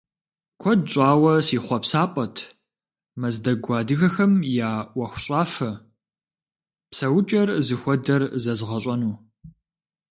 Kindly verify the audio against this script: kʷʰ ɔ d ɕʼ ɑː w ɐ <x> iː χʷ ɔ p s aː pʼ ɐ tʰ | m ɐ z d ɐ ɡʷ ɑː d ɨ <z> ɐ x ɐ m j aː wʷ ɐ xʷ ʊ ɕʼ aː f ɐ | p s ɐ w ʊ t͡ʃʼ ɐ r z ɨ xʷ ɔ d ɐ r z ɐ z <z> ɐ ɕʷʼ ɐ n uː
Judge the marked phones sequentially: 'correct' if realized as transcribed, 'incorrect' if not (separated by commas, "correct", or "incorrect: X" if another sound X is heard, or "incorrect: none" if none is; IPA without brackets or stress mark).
incorrect: s, incorrect: ɣ, incorrect: ʁ